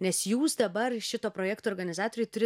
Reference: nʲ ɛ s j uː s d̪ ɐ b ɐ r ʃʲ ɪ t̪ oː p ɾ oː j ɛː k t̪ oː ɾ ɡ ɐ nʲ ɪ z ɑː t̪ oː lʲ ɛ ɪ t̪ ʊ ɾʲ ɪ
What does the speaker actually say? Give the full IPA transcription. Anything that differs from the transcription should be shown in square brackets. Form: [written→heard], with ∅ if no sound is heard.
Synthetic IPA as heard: nʲ ɛ s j uː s d̪ ɐ b ɐ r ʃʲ ɪ t̪ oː p ɾ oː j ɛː k t̪ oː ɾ ɡ ɐ nʲ ɪ z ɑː t̪ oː [lʲ→ɾʲ] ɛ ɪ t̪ ʊ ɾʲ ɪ

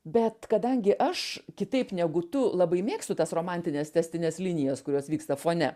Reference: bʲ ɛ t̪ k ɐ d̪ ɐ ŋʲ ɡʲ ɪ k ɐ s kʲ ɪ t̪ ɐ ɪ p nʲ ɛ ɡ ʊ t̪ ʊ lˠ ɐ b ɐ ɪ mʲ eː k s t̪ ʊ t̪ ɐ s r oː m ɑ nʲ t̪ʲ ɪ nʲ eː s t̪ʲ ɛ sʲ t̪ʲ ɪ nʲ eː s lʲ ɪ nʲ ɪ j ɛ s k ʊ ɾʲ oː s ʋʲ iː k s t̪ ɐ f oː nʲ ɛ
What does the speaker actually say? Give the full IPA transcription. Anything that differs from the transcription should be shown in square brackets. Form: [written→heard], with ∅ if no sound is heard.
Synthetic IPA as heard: bʲ ɛ t̪ k ɐ d̪ ɐ ŋʲ ɡʲ ɪ [k→ʔ] ɐ [s→ʃ] kʲ ɪ t̪ ɐ ɪ p nʲ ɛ ɡ ʊ t̪ ʊ lˠ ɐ b ɐ ɪ mʲ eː k s t̪ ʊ t̪ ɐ s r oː m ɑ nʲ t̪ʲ ɪ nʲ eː s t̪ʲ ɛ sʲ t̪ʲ ɪ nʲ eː s lʲ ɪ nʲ ɪ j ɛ s k ʊ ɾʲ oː s ʋʲ iː k s t̪ ɐ f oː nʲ ɛ

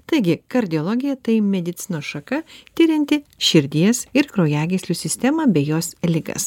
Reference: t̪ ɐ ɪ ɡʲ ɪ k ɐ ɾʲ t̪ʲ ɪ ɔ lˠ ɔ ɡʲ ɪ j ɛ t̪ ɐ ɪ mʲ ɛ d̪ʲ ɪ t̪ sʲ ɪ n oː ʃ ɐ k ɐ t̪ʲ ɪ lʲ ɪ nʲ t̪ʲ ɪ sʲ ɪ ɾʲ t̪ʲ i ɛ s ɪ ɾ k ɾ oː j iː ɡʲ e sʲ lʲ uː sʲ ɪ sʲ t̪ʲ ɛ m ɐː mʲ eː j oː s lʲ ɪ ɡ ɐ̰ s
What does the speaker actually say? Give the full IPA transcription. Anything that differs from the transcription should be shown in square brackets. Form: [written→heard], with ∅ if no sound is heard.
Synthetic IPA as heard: t̪ ɐ ɪ ɡʲ ɪ k ɐ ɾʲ [t̪ʲ→d̪ʲ] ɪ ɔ lˠ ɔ ɡʲ ɪ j ɛ t̪ ɐ ɪ mʲ ɛ d̪ʲ ɪ t̪ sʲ ɪ n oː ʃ ɐ k ɐ t̪ʲ ɪ [lʲ→ɾʲ] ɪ nʲ t̪ʲ ɪ [sʲ→ʃʲ] ɪ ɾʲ [t̪ʲ→d̪ʲ] i ɛ s ɪ ɾ k ɾ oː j [iː→æː] ɡʲ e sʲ lʲ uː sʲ ɪ sʲ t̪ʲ ɛ m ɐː [mʲ→bʲ] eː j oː s lʲ ɪ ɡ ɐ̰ s

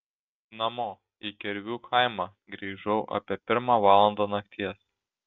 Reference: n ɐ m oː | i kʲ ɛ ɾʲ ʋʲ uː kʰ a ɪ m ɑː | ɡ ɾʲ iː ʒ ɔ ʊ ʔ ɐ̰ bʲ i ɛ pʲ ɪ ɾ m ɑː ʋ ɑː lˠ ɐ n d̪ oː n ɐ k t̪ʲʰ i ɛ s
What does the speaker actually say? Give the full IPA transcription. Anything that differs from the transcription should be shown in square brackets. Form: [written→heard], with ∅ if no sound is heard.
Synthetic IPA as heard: n ɐ m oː | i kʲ ɛ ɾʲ ʋʲ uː kʰ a ɪ m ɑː | ɡ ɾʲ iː ʒ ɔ ʊ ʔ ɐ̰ [bʲ→pʲ] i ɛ pʲ ɪ ɾ m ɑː ʋ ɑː lˠ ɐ n d̪ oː n ɐ k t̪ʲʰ i ɛ s

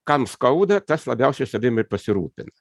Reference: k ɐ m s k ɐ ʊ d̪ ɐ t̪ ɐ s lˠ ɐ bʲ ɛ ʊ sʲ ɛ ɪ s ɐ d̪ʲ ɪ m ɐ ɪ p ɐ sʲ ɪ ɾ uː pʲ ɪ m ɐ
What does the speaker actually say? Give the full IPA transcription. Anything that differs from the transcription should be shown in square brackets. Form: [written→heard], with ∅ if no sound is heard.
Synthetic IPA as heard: k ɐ m s k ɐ ʊ d̪ ɐ t̪ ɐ s lˠ ɐ bʲ ɛ ʊ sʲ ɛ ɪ s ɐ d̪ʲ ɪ m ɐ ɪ p ɐ sʲ ɪ ɾ uː pʲ ɪ [m→n] ɐ

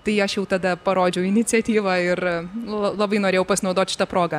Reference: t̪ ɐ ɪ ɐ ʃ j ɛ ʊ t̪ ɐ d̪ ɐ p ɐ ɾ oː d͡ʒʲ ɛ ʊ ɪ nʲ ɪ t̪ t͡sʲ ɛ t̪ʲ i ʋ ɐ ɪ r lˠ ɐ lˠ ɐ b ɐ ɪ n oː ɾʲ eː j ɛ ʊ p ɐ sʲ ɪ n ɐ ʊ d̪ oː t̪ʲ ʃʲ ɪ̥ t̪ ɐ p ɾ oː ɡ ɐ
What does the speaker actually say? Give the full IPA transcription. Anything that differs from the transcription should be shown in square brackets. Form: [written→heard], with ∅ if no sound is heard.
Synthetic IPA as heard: t̪ ɐ ɪ ɐ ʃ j ɛ ʊ t̪ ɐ d̪ ɐ p ɐ ɾ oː d͡ʒʲ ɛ ʊ ɪ nʲ ɪ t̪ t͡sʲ ɛ t̪ʲ [i→iː] ʋ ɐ ɪ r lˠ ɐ lˠ ɐ b ɐ ɪ n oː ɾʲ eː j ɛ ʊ p ɐ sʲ ɪ n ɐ ʊ d̪ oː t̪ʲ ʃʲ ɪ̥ t̪ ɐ p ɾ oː ɡ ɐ

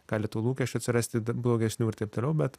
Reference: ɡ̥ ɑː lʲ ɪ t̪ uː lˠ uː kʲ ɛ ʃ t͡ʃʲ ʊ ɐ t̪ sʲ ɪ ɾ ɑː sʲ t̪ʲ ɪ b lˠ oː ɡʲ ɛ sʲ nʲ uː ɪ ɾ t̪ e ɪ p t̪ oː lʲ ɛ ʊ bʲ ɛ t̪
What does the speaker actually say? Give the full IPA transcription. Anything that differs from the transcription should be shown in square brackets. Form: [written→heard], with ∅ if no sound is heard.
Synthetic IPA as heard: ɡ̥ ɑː lʲ ɪ t̪ uː lˠ uː kʲ ɛ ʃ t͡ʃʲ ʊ ɐ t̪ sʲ ɪ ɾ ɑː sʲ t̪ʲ ɪ b lˠ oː ɡʲ ɛ sʲ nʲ uː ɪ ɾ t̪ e ɪ p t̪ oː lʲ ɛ ʊ bʲ ɛ t̪

